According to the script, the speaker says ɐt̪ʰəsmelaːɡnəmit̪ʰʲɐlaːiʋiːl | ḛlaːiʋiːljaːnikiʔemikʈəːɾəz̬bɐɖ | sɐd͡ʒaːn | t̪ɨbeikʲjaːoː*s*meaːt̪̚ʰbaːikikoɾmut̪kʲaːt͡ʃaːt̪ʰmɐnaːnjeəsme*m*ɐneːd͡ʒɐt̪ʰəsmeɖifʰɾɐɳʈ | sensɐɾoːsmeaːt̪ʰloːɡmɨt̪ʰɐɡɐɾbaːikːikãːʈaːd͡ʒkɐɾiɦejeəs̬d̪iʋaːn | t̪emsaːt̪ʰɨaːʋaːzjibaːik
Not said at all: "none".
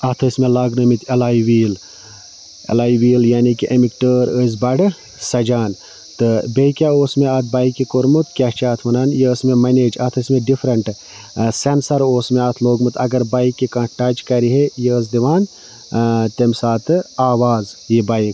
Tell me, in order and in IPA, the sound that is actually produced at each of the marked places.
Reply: s, m

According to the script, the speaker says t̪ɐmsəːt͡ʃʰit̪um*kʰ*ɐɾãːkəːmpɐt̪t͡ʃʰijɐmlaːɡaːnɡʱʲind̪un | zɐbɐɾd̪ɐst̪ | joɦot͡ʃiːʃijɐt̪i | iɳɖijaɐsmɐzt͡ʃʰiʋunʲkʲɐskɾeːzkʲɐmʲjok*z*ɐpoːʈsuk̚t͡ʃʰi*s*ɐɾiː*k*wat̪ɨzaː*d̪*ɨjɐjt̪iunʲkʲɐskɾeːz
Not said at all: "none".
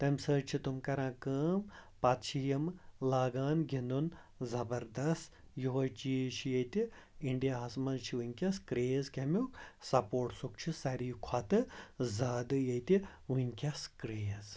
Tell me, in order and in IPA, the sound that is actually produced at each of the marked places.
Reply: k, s, s, kʰ, d̪

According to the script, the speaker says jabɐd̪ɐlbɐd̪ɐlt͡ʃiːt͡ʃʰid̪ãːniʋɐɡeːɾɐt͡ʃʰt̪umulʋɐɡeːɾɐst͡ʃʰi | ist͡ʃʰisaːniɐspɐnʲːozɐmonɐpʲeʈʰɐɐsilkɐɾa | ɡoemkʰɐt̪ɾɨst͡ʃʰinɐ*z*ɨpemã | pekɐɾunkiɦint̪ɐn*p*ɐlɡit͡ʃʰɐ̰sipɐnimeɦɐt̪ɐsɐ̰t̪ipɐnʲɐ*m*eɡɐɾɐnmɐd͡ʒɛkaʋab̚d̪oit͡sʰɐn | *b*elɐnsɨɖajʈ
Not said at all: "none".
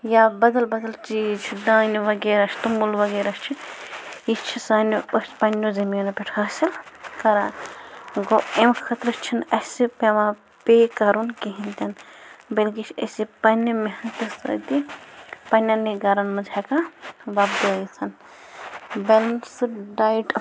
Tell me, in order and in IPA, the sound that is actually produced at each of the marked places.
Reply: s, b, n, b

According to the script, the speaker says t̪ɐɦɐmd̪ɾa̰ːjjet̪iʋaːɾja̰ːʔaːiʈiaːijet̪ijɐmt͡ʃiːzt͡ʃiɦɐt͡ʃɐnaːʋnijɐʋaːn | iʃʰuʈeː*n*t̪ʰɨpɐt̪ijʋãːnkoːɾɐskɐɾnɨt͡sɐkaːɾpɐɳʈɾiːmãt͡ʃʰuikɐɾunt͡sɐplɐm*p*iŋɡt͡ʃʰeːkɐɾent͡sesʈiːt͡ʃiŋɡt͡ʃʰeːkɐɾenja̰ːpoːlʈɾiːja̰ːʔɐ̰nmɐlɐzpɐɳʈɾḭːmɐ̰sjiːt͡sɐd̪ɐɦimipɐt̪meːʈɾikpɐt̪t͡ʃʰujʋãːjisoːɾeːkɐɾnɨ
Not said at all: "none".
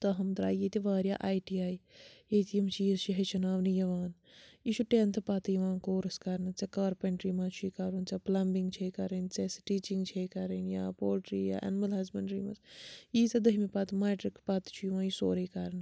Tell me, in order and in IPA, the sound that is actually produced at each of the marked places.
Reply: n, b

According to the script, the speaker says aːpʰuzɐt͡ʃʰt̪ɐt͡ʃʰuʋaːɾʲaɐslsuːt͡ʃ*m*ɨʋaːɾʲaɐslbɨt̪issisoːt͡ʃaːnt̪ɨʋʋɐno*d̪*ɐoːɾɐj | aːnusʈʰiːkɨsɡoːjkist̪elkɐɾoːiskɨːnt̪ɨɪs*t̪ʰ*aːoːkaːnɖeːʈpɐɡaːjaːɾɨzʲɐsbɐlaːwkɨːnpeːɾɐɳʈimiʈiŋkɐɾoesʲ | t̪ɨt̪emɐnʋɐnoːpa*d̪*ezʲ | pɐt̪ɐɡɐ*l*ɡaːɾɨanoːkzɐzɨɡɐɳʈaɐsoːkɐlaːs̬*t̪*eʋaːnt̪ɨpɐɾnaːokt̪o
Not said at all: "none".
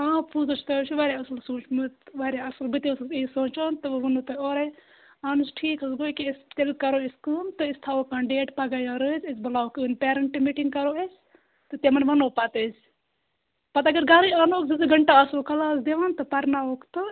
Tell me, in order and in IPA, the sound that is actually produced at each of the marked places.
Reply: m, t̪, t̪ʰ, t̪, ɾ, d̪

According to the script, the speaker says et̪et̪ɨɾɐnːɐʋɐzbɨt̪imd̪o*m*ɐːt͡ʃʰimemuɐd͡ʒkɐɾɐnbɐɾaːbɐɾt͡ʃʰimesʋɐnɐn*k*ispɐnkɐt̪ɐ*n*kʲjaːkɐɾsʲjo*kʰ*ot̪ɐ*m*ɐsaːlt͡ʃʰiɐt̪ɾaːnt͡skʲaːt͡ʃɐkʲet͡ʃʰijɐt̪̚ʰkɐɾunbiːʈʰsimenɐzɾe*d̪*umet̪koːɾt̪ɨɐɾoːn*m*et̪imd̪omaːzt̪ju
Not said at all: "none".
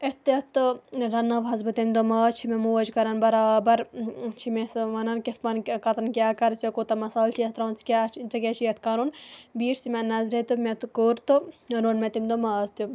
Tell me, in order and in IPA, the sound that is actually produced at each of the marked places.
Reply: m, k, n, k, m, t̪, m

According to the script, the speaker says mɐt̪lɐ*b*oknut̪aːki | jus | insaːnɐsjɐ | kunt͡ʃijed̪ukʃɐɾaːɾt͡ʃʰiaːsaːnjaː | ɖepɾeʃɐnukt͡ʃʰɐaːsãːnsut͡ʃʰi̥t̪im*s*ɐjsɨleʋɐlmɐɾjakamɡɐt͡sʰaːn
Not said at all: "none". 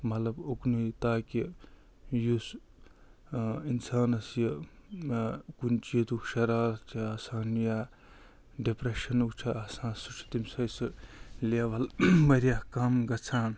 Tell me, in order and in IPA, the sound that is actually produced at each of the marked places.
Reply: b, s

